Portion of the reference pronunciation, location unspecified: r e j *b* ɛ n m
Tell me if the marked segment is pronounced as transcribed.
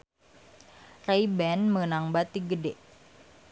yes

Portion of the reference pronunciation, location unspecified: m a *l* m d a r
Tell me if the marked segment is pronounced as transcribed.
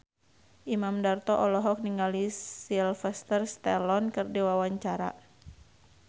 no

